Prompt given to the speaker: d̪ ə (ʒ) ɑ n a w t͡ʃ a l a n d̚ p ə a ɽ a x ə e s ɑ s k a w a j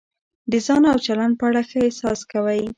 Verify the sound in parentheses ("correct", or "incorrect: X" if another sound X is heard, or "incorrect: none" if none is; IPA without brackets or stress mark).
incorrect: z